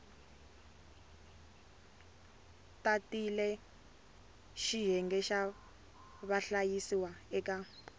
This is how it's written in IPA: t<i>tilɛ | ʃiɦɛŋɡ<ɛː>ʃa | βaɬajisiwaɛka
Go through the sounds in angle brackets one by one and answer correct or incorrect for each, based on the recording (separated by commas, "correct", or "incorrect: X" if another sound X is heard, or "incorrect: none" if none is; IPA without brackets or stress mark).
incorrect: a, incorrect: ɛ